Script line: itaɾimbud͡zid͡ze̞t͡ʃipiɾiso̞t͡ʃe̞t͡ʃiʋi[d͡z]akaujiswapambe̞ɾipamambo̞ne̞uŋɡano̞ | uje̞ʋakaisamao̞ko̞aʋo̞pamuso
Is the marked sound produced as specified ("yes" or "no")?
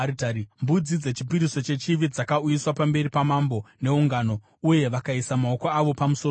yes